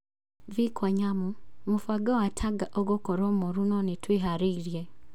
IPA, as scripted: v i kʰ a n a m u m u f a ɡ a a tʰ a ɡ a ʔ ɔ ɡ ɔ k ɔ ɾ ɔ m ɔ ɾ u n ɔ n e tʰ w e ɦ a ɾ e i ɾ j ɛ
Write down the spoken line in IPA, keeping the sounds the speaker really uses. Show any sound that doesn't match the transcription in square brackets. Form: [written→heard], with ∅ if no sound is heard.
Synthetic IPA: v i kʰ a [n→ɲ] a m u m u f a ɡ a a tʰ a ɡ a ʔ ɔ ɡ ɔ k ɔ ɾ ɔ m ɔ ɾ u n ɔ n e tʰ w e ɦ a ɾ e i ɾ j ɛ